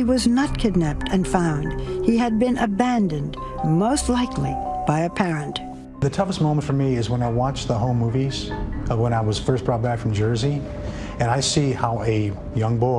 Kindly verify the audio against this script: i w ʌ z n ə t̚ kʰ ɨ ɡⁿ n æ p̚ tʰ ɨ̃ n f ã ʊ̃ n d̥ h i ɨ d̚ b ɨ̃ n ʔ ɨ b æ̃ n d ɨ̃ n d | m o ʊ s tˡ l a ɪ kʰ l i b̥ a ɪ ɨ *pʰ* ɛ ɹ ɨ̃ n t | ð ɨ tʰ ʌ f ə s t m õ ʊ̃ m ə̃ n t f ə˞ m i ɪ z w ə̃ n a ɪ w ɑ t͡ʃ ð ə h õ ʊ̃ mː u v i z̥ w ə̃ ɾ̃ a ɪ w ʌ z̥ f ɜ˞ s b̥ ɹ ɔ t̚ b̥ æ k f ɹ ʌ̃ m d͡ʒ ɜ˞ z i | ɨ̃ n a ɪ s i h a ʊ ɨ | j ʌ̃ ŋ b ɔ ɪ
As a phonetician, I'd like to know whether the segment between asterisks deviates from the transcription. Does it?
no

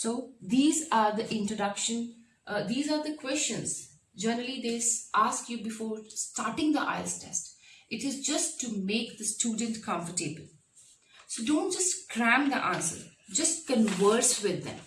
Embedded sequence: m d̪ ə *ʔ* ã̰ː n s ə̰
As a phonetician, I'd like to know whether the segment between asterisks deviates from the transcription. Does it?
no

